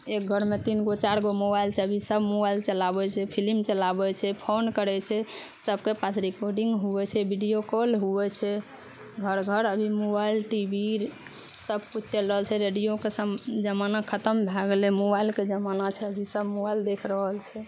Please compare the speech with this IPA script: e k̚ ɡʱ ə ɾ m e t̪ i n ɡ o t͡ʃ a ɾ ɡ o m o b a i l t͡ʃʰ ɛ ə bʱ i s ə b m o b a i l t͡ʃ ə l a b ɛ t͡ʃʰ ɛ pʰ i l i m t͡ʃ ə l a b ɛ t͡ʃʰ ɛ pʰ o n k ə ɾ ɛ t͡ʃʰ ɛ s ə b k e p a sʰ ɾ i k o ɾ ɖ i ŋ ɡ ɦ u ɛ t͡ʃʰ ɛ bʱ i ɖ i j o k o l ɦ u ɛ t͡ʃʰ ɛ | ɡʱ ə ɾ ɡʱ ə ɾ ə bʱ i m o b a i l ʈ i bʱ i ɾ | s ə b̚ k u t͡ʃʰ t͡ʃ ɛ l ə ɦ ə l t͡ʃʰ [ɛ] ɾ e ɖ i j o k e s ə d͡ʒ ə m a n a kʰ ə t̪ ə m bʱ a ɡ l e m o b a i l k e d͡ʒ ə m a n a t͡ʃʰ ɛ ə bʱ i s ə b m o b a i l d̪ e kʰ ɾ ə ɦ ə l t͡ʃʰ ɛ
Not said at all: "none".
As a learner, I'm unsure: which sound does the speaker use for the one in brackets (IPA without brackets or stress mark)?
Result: ɛ